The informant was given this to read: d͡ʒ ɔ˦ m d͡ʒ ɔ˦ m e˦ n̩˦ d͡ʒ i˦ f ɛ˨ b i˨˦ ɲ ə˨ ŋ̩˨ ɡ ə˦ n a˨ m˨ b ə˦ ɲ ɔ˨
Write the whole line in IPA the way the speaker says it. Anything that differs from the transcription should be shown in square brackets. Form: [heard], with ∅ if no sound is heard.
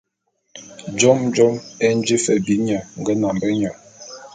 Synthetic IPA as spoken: d͡ʒ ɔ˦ m d͡ʒ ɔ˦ m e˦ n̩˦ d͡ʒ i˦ f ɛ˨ b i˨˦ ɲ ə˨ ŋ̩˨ ɡ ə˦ n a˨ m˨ b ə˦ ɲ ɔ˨

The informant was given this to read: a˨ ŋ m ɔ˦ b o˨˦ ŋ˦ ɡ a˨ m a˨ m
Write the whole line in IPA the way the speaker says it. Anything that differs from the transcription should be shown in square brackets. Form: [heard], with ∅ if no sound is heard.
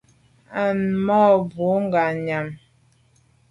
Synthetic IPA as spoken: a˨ [n] m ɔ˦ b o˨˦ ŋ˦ ɡ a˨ [ɲ] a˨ m

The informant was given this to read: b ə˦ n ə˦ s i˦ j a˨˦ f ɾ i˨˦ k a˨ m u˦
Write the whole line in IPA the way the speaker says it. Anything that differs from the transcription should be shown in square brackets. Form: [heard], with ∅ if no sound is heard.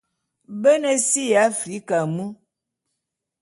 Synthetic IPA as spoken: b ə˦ n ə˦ s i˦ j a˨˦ f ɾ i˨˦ k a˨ m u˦

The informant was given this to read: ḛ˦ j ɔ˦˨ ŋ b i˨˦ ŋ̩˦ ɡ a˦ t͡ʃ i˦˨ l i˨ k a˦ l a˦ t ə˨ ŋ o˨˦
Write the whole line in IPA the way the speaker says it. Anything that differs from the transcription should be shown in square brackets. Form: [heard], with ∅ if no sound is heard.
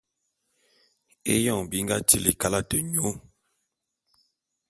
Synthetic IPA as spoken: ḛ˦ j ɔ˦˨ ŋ b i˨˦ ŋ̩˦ ɡ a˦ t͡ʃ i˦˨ l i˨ k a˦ l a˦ t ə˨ [ɲ] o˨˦

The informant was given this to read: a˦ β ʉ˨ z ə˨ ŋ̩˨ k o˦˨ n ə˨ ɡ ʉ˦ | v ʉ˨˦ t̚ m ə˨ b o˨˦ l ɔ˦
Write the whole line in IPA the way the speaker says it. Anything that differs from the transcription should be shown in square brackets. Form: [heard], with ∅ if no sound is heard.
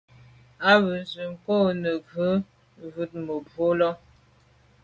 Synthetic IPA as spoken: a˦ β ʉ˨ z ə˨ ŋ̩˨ k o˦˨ n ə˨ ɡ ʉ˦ | v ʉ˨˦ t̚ m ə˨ b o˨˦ l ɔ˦

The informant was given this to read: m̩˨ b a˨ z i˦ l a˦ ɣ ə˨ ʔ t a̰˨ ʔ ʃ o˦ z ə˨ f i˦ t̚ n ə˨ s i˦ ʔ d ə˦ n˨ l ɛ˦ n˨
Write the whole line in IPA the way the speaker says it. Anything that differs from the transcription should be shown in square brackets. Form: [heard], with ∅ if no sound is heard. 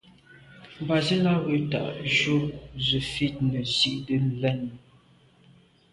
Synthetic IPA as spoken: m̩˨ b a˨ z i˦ l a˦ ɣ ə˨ [∅] t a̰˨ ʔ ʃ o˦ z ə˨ f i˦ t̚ n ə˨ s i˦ ʔ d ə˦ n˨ l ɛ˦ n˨

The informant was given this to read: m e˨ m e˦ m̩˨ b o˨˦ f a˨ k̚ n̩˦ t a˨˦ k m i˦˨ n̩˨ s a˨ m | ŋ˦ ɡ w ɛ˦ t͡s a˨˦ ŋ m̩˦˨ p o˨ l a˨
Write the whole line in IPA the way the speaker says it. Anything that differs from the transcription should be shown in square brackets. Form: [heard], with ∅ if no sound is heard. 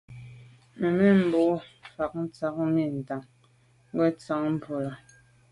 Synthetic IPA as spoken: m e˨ m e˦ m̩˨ b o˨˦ f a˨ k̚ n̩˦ [t͡s] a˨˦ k m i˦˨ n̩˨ [t] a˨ [ŋ] | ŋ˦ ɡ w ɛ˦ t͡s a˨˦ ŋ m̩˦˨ p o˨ l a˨

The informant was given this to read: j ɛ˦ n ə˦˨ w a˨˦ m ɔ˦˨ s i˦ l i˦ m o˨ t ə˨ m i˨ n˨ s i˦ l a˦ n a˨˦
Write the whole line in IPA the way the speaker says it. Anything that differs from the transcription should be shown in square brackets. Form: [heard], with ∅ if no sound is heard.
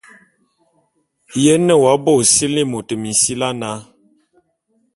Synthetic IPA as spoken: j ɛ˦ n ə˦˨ w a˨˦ [b] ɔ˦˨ s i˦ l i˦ m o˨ t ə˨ m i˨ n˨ s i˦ l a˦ n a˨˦

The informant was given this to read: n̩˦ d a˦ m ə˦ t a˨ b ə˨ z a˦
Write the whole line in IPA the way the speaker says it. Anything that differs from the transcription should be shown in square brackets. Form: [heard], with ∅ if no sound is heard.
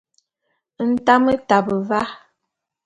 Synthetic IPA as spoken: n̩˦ [t] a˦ m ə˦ t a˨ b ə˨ [v] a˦

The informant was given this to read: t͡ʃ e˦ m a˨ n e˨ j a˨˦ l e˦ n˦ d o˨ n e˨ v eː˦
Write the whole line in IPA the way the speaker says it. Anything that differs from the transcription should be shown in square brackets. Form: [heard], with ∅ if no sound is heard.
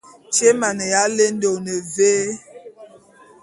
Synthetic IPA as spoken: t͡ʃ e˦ m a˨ n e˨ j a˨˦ l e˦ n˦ d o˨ n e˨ v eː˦

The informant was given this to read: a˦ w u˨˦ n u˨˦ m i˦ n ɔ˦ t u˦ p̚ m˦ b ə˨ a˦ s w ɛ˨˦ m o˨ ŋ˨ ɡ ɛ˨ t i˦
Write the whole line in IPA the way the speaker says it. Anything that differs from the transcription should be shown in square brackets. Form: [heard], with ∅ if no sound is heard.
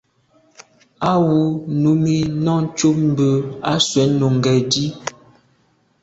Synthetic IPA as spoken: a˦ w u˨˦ n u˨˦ m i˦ n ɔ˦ [t͡ʃ] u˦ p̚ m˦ b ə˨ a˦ s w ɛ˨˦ [n] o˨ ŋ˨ ɡ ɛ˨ [d] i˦

